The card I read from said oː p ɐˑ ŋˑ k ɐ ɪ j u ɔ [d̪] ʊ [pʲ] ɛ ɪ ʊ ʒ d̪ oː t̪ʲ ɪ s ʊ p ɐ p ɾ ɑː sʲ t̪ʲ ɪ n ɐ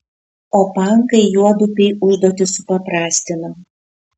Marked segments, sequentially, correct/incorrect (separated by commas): correct, correct